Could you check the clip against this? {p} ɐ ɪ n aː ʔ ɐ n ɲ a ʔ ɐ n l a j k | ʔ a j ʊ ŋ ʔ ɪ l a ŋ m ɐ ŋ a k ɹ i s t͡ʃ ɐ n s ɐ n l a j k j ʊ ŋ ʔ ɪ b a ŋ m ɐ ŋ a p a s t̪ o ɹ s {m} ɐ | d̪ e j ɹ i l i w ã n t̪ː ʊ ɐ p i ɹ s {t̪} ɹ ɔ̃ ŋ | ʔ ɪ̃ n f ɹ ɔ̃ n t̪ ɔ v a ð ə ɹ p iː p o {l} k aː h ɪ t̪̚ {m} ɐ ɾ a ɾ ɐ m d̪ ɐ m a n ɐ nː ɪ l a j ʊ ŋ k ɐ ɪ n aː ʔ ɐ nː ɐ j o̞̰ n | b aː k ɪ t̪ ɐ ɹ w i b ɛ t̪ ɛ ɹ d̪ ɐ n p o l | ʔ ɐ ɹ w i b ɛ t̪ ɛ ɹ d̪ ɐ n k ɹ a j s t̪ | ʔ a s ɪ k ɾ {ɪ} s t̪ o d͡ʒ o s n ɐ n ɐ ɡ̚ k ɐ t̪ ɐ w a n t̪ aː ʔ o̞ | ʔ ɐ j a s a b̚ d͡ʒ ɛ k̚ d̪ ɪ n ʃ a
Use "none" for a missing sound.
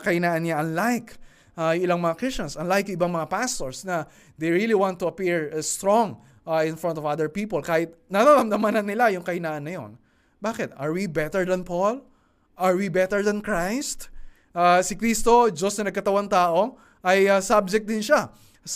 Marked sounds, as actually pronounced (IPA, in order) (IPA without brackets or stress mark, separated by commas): k, n, t̪, l, n, i